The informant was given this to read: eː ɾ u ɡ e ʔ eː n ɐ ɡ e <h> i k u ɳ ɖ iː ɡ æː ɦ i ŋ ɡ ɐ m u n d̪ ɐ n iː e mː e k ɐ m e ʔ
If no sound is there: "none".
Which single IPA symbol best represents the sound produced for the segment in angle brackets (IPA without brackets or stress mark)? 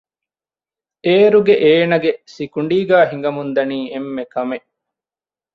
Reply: s